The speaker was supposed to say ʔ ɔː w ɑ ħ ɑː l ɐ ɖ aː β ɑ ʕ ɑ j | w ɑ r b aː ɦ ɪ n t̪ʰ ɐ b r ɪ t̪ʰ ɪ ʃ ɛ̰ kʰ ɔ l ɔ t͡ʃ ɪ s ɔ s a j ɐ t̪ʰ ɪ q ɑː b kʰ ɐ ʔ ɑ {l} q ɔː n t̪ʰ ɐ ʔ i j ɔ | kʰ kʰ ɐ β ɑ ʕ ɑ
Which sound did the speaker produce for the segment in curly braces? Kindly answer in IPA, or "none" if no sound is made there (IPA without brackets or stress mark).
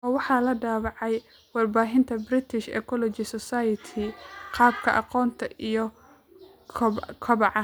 none